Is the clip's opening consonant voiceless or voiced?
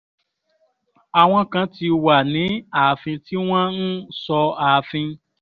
voiced